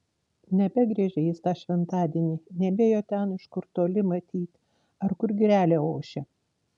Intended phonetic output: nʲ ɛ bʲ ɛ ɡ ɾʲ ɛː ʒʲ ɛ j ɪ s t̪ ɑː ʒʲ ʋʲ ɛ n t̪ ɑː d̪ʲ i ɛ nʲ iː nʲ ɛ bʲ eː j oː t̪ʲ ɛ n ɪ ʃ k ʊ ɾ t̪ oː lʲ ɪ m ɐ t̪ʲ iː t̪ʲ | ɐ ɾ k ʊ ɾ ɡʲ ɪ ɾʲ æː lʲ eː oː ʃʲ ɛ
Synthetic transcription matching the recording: nʲ ɛ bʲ ɛ ɡ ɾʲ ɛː ʒʲ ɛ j ɪ s t̪ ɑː ʃʲ ʋʲ ɛ n t̪ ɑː d̪ʲ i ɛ nʲ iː nʲ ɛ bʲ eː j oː t̪ʲ ɛ n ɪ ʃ k ʊ ɾ t̪ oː lʲ ɪ m ɐ t̪ʲ iː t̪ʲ | ɐ ɾ k ʊ ɾ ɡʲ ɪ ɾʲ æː lʲ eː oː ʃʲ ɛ